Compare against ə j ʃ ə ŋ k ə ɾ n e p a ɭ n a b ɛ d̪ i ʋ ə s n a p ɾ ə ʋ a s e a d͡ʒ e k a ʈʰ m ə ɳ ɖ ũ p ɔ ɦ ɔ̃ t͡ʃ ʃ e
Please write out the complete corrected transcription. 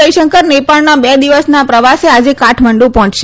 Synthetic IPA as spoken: ə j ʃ ə ŋ k ə ɾ n e p a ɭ n a b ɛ d̪ i ʋ ə s n a p ɾ ə ʋ a s e a d͡ʒ e k a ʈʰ m ə ɳ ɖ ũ p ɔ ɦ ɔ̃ t͡ʃ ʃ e